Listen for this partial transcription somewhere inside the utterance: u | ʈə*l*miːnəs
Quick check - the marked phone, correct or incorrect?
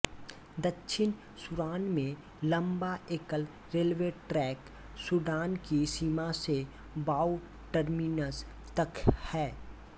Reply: incorrect